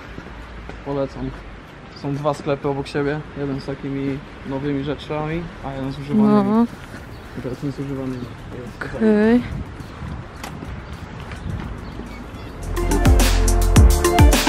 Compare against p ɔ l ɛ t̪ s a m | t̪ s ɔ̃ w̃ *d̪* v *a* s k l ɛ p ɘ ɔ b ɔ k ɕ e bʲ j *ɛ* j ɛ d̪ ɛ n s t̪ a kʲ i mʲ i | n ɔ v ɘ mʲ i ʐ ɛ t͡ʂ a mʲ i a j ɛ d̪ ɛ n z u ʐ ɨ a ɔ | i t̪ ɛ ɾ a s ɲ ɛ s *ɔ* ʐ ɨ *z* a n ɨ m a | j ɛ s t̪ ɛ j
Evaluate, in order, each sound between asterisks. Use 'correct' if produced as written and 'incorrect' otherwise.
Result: correct, correct, correct, incorrect, incorrect

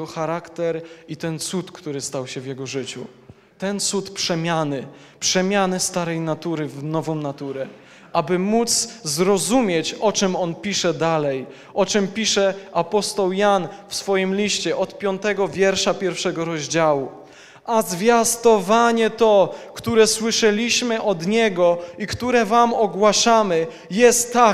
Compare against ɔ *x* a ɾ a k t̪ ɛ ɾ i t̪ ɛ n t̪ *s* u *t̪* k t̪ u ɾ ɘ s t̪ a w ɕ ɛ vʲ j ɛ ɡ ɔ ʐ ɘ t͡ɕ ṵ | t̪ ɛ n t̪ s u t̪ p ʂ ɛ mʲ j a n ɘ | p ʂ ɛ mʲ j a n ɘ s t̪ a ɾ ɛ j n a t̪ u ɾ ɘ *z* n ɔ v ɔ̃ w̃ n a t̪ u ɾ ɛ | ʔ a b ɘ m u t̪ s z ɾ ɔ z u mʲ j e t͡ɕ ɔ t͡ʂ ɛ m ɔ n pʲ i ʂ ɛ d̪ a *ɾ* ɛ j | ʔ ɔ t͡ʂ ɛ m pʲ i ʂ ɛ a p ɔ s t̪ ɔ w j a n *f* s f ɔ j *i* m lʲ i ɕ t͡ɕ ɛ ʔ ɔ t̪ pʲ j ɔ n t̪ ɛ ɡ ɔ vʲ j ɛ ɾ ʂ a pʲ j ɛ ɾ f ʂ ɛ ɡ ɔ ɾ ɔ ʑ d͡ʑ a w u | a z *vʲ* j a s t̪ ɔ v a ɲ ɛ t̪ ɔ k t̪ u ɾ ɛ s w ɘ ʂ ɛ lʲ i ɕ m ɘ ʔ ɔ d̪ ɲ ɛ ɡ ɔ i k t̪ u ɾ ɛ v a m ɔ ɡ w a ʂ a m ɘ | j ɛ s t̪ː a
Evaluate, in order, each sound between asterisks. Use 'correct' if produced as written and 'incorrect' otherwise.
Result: correct, correct, correct, incorrect, incorrect, correct, correct, correct

